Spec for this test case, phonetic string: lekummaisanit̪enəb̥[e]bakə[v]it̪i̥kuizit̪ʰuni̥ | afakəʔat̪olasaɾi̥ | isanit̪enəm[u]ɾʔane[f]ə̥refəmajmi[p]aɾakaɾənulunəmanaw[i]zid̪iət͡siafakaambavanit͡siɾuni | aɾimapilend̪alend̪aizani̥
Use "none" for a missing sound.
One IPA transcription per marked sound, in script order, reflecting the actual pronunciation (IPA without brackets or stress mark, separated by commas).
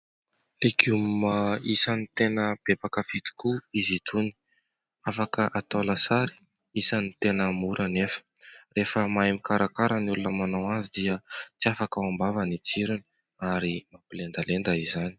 e, f, u, f, k, a